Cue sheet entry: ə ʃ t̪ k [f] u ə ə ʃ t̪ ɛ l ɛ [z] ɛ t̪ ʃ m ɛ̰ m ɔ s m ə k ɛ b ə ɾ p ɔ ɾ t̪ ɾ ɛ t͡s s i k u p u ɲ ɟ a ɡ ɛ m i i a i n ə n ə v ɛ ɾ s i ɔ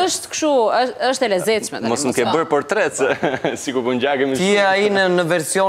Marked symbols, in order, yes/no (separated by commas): no, yes